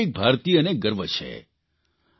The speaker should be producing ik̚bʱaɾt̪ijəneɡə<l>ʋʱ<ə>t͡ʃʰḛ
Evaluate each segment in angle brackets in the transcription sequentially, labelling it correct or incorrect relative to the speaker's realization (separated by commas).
incorrect, correct